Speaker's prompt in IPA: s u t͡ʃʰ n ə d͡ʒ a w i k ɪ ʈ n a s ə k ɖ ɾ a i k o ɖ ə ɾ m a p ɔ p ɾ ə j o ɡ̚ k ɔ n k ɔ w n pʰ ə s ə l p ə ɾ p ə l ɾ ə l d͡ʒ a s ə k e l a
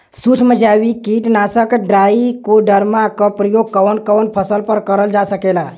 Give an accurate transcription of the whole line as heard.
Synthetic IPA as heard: s u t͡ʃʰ m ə d͡ʒ a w i k i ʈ n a s ə k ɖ ɾ a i k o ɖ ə ɾ m a k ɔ p ɾ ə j o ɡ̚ k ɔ n k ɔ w n pʰ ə s ə l p ə ɾ k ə ɾ ə l d͡ʒ a s ə k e l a